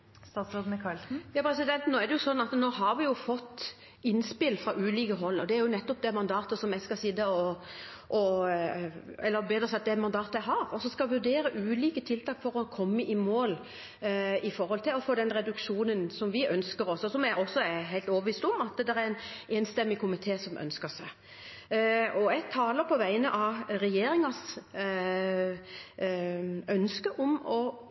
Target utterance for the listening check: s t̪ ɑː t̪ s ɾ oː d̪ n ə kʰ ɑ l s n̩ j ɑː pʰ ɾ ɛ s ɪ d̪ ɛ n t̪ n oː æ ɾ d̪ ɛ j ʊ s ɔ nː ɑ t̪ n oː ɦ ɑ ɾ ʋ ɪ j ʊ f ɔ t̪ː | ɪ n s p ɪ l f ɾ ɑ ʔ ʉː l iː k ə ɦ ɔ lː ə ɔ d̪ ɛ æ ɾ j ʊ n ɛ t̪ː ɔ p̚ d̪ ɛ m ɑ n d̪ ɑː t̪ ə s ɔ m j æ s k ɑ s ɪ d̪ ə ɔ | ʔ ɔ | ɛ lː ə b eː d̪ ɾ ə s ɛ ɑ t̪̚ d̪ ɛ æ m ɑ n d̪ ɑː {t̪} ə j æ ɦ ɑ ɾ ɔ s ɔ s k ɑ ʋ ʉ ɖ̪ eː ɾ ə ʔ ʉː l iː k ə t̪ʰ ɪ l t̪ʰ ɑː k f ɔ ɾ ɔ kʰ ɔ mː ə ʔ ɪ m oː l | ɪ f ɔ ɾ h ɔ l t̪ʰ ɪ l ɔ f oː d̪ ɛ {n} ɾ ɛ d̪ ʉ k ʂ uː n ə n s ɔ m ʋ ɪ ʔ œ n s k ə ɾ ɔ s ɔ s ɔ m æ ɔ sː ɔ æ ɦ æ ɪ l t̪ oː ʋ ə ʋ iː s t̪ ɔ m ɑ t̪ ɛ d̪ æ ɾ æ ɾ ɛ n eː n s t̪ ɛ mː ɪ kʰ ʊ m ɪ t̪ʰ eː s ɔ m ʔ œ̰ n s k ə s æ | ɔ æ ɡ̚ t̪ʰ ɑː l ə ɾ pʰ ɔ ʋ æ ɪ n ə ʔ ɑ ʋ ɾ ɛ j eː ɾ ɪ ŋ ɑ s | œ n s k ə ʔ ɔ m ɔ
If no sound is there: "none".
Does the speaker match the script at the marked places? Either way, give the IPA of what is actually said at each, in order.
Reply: t̪, n

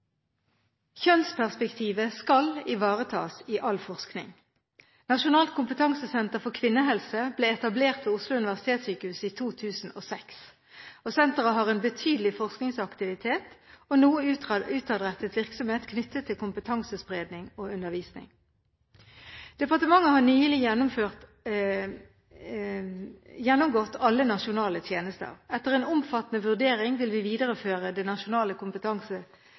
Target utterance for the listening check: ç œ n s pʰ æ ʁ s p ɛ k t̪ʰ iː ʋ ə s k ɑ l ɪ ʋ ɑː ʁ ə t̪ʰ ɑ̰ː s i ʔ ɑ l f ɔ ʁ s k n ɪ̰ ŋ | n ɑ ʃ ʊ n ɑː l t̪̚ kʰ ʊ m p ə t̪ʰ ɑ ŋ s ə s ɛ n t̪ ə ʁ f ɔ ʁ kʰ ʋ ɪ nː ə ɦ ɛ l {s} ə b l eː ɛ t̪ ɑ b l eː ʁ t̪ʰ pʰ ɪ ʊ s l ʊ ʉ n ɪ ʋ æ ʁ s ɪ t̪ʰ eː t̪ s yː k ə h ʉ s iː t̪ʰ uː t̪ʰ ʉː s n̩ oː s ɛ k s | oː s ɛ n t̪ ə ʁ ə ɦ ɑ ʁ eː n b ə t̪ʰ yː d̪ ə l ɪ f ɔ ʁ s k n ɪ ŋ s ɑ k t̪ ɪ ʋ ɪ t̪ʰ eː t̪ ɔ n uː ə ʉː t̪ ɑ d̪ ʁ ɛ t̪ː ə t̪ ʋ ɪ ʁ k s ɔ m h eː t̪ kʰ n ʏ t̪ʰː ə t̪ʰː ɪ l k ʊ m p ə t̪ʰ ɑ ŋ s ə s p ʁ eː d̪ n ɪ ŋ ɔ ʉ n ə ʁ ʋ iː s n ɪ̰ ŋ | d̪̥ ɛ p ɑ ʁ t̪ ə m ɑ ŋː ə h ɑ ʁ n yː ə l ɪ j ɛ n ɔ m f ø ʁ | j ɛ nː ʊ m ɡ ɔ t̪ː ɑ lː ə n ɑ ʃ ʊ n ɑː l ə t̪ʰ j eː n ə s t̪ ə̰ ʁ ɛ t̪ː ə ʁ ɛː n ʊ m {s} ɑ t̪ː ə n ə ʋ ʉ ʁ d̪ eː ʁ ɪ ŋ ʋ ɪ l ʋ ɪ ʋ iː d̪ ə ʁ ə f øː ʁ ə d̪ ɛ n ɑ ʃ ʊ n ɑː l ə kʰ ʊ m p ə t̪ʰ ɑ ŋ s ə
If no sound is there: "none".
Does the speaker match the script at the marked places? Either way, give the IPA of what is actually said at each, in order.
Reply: s, f

